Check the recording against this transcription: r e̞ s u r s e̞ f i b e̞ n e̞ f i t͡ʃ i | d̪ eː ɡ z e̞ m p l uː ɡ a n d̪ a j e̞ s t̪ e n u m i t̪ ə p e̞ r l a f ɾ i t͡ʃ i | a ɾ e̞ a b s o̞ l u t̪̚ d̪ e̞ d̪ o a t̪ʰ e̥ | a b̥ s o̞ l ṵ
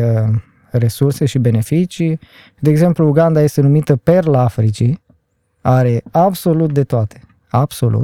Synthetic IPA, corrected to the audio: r e̞ s u r s e̞ ʃ i b e̞ n e̞ f i t͡ʃ i | d̪ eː ɡ z e̞ m p l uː ɡ a n d̪ a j e̞ s t̪ e n u m i t̪ ə p e̞ r l a f ɾ i t͡ʃ i | a ɾ e̞ a b s o̞ l u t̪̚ d̪ e̞ t̪ o a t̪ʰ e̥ | a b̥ s o̞ l ṵ